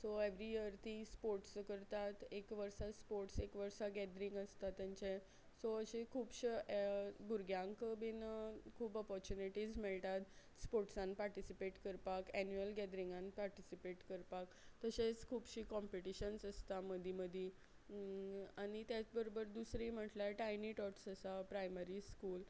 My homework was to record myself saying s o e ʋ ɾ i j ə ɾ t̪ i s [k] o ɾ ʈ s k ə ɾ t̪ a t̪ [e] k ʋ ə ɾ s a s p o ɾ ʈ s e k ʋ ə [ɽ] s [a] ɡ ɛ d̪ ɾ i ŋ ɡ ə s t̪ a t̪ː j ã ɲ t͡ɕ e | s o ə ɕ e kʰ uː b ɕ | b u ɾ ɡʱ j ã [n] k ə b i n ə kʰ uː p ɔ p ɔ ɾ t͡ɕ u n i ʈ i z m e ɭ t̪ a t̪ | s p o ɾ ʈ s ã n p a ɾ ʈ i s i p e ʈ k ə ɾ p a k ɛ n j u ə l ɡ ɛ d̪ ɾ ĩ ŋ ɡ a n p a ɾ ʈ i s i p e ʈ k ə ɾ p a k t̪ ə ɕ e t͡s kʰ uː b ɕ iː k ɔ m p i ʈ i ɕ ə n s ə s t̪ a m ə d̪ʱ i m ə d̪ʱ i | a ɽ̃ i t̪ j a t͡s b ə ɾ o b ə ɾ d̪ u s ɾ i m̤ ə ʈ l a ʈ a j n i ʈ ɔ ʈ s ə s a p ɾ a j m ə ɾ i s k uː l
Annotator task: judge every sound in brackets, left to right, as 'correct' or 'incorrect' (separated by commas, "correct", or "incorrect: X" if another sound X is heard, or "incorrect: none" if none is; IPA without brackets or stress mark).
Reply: incorrect: p, correct, incorrect: ɾ, correct, incorrect: ŋ